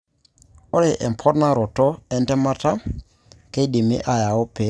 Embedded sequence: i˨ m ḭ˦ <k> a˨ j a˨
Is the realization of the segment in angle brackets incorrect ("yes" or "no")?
yes